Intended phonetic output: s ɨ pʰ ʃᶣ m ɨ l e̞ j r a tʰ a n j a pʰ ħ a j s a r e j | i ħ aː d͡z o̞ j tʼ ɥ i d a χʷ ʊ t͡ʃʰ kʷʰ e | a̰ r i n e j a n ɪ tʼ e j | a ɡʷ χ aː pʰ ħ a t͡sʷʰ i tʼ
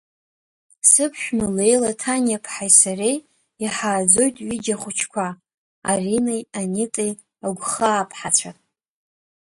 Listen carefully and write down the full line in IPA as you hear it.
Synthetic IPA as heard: s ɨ pʰ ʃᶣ m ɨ l e̞ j l a tʰ a n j a pʰ ħ a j s a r e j | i ħ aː d͡z o̞ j tʼ ɥ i d͡ʒ a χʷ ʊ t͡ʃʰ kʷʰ a | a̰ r i n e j a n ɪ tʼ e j | a ɡʷ χ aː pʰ ħ a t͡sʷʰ a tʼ